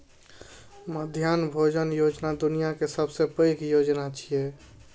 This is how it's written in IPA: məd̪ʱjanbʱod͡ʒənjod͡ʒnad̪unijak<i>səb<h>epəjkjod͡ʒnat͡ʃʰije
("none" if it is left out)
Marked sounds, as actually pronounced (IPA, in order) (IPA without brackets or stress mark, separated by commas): e, s